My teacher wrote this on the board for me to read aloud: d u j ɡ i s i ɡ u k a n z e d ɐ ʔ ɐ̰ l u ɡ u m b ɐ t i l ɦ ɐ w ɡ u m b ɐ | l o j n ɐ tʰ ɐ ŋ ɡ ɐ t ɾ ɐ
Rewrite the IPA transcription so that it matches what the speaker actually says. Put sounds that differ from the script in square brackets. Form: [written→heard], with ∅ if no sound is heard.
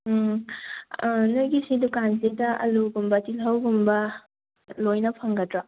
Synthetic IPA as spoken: [d→n] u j ɡ i s i [ɡ→d] u k a n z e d ɐ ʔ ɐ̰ l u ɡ u m b ɐ t i l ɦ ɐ w ɡ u m b ɐ | l o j n ɐ [tʰ→pʰ] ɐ ŋ ɡ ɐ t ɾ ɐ

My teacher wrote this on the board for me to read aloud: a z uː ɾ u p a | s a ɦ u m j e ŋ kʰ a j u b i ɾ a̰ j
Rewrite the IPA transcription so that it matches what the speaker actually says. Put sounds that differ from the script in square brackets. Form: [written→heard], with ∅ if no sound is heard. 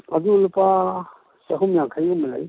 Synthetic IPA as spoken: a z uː [ɾ→l] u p a | s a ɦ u m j [e→a] ŋ kʰ a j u [b→m] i [ɾ→l] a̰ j

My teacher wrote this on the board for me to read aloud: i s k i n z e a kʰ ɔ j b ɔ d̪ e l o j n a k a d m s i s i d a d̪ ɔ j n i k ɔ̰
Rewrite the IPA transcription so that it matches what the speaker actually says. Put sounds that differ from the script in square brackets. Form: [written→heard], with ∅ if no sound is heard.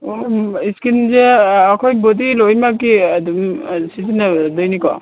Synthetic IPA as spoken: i s k i n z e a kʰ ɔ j b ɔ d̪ [e→i] l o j [n→m] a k [a→i] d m s i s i [d→n] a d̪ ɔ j n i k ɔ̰

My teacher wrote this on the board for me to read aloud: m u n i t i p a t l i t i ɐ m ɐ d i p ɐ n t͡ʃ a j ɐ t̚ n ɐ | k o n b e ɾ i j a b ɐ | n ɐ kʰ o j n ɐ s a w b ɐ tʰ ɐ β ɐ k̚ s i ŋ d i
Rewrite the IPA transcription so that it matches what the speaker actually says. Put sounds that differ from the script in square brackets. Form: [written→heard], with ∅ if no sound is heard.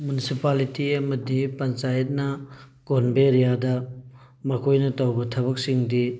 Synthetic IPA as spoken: m u n i [t→s] i p a [t→∅] l i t i ɐ m ɐ d i p ɐ n t͡ʃ a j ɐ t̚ n ɐ | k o n b e ɾ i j a [b→d] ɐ | [n→m] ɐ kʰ o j n ɐ [s→t] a w b ɐ tʰ ɐ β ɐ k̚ s i ŋ d i

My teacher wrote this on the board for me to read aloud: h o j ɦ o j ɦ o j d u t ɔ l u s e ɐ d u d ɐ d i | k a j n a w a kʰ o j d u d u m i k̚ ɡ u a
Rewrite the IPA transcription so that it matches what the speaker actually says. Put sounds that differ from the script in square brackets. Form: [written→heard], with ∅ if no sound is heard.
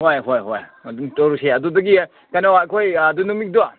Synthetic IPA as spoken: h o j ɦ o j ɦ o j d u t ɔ [l→ɾ] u s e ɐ d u d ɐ [d→ɡ] i | k a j n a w a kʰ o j d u [d→n] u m i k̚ [ɡ→d] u a

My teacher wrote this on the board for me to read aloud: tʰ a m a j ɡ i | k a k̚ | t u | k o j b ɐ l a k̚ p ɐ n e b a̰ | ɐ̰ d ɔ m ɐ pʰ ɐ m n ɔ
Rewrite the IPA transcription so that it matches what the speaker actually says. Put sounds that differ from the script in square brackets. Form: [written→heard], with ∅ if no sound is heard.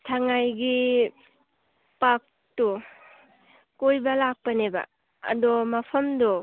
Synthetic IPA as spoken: tʰ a [m→ŋ] a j ɡ i | [k→p] a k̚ | t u | k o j b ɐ l a k̚ p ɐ n e b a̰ | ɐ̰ d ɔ m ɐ pʰ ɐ m [n→d] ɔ

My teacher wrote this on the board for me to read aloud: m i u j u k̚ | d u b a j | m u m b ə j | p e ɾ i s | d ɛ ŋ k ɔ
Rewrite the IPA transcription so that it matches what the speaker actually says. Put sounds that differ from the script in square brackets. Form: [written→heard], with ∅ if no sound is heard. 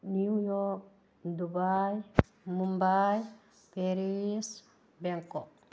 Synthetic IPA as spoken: [m→n] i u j [u→ɔ] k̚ | d u b a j | m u m b [ə→a] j | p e ɾ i s | [d→b] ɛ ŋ k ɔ

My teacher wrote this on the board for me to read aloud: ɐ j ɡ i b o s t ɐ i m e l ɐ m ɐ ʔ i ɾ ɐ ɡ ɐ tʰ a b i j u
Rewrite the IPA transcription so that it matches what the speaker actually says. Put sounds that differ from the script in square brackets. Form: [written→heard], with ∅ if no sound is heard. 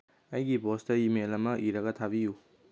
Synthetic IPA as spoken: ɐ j ɡ i b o s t ɐ i m e l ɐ m ɐ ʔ i ɾ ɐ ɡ ɐ tʰ a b i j u

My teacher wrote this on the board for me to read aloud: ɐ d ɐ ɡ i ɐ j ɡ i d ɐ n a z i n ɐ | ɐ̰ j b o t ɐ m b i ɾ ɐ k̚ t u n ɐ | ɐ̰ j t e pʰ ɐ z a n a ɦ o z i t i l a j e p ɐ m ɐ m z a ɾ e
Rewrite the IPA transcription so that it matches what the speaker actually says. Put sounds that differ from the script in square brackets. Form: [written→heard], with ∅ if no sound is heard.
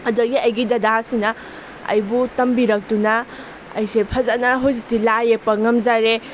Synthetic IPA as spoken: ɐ d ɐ ɡ i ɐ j ɡ i d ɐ [n→d] a [z→s] i n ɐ | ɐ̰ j b [o→u] t ɐ m b i ɾ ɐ k̚ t u n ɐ | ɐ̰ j [t→s] e pʰ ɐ z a n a ɦ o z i t i l a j e p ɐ [m→ŋ] ɐ m z a ɾ e

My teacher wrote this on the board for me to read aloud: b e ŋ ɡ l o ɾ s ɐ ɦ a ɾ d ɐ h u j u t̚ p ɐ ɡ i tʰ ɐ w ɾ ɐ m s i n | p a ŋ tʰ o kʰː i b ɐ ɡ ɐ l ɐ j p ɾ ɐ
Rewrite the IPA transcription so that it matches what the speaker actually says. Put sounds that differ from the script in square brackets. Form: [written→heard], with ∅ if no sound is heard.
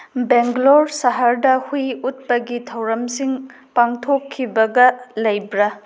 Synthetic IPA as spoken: b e ŋ ɡ l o ɾ s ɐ ɦ a ɾ d ɐ h u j u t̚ p ɐ ɡ i tʰ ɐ w ɾ ɐ m s i [n→ŋ] | p a ŋ tʰ o kʰː i b ɐ ɡ ɐ l ɐ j [p→b] ɾ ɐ

